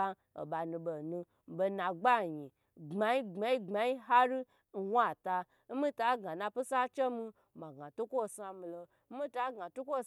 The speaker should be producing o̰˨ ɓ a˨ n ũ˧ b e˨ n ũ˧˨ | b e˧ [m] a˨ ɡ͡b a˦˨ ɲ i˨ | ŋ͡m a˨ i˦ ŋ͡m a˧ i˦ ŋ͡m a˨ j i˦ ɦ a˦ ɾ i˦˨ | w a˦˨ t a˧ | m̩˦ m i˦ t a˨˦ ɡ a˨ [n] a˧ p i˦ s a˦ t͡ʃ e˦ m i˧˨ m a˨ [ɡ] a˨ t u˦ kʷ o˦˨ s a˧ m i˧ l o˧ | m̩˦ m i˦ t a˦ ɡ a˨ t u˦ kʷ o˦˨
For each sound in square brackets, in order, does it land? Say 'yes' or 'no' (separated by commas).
no, yes, yes